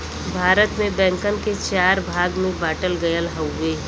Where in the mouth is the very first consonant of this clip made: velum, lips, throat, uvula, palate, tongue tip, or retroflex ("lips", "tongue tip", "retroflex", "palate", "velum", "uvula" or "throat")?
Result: lips